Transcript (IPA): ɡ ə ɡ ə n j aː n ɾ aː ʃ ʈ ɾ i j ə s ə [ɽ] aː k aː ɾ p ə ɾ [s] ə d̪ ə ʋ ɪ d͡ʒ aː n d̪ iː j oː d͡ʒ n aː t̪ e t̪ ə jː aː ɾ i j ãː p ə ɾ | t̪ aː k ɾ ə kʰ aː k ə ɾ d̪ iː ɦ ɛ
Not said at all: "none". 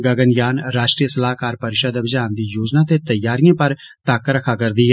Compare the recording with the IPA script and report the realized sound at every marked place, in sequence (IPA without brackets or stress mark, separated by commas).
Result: l, ʃ